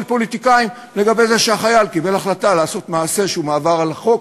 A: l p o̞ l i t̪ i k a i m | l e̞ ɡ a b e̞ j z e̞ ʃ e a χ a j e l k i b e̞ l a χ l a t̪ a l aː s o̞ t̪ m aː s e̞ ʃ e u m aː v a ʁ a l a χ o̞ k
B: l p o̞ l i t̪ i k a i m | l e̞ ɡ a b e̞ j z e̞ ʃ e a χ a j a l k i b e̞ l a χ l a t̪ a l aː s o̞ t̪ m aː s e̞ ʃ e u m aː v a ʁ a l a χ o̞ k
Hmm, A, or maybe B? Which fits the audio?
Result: B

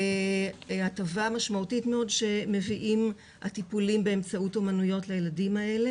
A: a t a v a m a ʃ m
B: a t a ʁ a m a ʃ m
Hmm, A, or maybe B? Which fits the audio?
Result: A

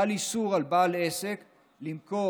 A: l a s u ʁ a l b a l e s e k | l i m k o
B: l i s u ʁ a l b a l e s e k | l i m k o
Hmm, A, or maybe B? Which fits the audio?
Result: B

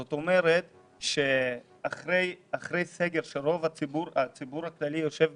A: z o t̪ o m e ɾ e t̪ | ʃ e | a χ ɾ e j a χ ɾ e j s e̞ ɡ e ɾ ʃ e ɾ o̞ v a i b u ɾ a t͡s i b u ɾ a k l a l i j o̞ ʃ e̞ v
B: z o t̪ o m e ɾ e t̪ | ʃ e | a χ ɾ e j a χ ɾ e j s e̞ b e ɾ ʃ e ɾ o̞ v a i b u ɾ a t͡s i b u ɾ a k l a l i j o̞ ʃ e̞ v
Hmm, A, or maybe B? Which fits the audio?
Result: A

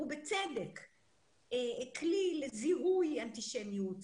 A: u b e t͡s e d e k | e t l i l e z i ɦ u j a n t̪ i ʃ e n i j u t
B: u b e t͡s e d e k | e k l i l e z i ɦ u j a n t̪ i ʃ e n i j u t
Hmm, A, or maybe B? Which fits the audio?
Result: B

